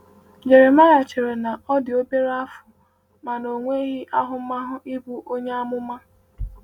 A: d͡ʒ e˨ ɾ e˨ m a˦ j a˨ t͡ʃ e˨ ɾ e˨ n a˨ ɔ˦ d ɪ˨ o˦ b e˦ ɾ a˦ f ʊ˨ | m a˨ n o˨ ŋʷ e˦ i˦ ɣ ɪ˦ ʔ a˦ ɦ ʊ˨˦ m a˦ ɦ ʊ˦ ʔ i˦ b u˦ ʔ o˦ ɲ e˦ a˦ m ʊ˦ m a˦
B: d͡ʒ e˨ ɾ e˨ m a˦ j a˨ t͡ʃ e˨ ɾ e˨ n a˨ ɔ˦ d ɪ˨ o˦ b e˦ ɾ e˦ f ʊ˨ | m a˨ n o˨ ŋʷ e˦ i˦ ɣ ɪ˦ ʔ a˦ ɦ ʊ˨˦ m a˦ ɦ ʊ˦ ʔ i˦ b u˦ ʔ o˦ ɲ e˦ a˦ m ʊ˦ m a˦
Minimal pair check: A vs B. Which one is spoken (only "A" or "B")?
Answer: A